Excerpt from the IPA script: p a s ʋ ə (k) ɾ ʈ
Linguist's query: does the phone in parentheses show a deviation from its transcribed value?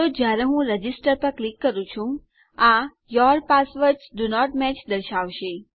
yes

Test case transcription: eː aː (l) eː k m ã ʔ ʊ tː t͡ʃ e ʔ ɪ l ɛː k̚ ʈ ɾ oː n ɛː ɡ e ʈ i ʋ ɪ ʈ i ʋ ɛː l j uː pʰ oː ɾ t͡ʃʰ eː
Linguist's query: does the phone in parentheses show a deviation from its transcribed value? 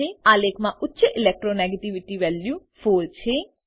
no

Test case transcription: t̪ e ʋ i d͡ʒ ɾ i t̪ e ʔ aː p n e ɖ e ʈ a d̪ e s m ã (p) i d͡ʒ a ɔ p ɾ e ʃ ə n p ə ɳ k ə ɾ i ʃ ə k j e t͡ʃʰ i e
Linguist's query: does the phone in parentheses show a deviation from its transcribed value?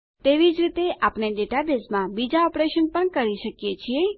yes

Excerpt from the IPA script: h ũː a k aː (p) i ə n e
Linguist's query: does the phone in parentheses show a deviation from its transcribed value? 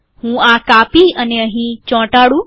no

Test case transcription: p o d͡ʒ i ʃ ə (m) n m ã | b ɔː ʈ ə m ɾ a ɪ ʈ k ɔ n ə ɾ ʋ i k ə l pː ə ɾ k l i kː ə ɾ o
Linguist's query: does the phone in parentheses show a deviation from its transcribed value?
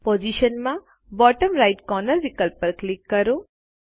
yes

